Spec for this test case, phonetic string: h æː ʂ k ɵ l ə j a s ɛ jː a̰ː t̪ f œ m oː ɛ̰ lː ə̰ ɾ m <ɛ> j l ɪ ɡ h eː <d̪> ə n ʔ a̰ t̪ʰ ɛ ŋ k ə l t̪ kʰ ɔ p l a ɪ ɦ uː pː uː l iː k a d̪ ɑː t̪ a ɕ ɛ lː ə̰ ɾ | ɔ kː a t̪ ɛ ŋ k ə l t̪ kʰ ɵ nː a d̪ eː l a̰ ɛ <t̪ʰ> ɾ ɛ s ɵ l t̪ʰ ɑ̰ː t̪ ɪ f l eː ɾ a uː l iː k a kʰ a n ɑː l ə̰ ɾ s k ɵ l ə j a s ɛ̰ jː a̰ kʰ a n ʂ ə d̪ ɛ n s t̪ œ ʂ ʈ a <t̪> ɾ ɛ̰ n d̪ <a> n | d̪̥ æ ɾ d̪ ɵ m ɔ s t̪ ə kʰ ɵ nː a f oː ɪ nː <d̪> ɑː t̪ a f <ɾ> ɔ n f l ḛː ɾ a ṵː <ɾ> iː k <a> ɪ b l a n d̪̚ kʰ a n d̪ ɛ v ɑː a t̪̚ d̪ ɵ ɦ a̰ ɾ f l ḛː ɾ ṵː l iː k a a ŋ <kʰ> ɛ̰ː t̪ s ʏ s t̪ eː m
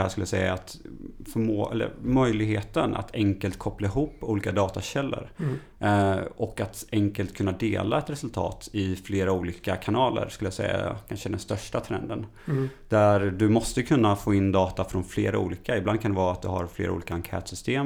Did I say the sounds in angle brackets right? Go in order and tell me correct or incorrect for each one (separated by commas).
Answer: incorrect, incorrect, incorrect, incorrect, incorrect, correct, correct, incorrect, correct, correct